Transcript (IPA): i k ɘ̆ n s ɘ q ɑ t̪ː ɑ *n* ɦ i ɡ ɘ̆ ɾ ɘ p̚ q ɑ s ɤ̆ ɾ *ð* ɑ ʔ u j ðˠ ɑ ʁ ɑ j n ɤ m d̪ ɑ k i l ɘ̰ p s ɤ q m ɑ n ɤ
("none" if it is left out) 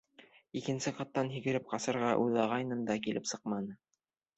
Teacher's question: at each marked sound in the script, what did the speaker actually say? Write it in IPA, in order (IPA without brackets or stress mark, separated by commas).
n, ʁ